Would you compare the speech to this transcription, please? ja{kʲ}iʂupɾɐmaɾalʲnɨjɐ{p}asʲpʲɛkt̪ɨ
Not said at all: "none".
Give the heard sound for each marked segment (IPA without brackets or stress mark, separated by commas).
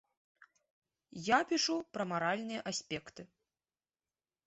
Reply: pʲ, ʔ